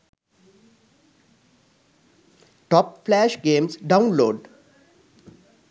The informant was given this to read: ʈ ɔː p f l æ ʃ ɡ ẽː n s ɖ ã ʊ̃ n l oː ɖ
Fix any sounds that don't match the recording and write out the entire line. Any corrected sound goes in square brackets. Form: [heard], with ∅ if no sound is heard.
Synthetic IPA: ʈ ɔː p f l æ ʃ ɡ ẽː [m] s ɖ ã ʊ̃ n l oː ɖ